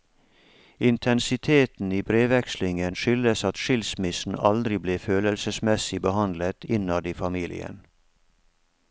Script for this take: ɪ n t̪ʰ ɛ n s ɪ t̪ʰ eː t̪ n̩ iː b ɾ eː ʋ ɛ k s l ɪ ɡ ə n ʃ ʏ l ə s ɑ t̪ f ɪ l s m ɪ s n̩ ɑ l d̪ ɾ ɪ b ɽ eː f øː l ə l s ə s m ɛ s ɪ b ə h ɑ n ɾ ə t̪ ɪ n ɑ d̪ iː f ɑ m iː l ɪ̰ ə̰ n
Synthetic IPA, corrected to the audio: ɪ n t̪ʰ ɛ n s ɪ t̪ʰ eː t̪ n̩ iː b ɾ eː ʋ ɛ k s l ɪ ŋ ə n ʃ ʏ l ə s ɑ t̪ ʃ ɪ l s m ɪ s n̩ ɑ l d̪ ɾ ɪ b l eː f øː l ə l s ə s m ɛ s ɪ b ə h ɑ n l ə t̪ ɪ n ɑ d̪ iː f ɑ m iː l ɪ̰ ə̰ n